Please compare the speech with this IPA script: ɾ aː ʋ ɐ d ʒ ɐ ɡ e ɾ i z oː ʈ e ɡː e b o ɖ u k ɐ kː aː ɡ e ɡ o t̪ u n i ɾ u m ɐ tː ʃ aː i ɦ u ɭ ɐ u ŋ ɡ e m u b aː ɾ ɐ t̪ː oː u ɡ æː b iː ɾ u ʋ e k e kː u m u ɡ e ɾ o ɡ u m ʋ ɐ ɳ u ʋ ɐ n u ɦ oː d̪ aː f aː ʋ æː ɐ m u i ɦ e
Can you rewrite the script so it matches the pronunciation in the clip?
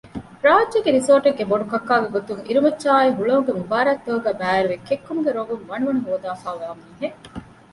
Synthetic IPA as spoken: ɾ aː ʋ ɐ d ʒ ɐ ɡ e ɾ i s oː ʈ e ɡː e b o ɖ u k ɐ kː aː ɡ e ɡ o t̪ u ŋ i ɾ u m ɐ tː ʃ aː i ɦ u ɭ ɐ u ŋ ɡ e m u b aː ɾ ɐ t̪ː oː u ɡ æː b æː ɾ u ʋ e k e kː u m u ɡ e ɾ o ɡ u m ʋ ɐ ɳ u ʋ ɐ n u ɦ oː d̪ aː f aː ʋ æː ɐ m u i ɦ e